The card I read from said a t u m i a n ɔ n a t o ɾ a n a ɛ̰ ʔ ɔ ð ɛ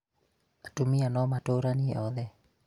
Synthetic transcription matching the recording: a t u m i a n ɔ m a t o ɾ a n i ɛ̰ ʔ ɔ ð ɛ